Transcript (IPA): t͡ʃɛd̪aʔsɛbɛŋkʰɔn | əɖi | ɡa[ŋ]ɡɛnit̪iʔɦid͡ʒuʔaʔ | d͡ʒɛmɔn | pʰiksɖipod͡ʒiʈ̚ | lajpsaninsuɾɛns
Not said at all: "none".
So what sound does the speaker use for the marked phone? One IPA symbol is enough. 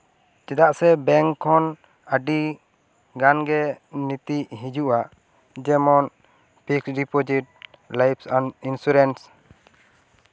n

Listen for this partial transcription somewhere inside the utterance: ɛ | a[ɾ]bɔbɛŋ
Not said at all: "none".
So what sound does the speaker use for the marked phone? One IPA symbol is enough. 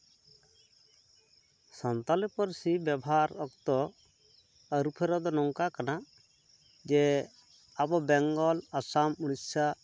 none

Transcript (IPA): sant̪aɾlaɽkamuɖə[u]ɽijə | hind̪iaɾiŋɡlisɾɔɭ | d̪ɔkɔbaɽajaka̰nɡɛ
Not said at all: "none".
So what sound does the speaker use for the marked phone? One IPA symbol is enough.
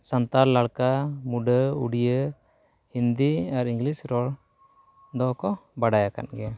u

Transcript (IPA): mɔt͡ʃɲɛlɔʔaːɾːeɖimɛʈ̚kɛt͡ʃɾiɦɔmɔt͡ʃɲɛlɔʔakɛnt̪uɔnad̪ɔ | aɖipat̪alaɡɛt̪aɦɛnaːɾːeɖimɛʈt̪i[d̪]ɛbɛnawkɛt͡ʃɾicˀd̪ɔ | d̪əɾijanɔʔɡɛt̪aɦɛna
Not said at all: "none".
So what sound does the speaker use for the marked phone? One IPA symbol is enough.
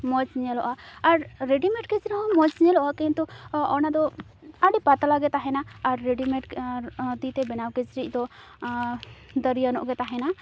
t̪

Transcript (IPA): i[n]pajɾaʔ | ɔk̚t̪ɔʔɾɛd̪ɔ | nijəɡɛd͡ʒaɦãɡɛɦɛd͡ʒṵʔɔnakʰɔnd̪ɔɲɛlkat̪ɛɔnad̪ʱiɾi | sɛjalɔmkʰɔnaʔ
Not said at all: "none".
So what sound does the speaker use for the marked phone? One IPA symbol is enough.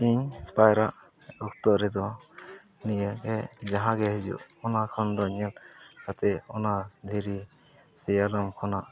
ɲ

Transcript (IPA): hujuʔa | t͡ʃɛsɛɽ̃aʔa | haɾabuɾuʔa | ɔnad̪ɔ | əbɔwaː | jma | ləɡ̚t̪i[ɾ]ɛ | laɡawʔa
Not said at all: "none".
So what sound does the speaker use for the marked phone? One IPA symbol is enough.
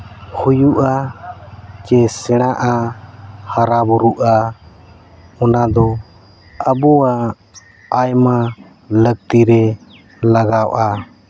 ɾ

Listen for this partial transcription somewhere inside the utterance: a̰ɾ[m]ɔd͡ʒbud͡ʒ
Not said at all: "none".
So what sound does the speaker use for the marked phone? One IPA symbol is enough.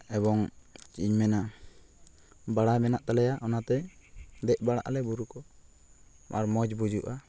m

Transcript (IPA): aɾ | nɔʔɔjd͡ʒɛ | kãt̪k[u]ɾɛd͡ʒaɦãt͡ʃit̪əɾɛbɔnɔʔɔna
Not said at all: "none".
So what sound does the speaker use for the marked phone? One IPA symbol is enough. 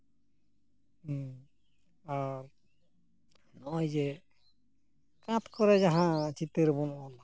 ɔ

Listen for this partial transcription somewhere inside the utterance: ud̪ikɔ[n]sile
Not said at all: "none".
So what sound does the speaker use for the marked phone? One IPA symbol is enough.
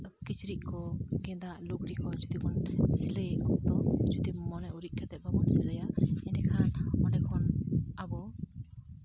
n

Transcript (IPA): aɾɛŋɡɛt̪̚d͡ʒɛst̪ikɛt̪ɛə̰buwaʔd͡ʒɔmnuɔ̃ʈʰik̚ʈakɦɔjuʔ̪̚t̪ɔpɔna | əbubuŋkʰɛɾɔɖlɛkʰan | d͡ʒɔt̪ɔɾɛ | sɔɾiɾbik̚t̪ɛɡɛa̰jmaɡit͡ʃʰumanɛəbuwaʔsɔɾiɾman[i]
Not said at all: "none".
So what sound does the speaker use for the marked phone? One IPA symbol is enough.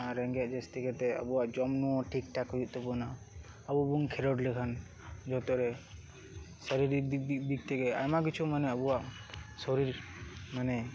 ɛ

